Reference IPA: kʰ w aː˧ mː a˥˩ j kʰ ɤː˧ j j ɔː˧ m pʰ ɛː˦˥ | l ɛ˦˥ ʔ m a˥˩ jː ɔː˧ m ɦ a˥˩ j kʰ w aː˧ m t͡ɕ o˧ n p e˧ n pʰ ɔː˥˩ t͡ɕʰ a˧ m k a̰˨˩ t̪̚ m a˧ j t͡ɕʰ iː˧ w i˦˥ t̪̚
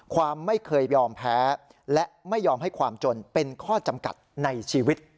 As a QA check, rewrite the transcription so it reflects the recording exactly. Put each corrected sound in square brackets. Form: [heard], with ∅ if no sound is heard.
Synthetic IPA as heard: kʰ w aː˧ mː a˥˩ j kʰ ɤː˧ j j ɔː˧ m pʰ ɛː˦˥ | l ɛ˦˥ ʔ m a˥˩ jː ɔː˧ m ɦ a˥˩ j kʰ w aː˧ m t͡ɕ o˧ n p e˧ n [kʰ] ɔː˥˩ [t͡ɕ] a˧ m k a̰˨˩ t̪̚ [n] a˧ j t͡ɕʰ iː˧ w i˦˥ t̪̚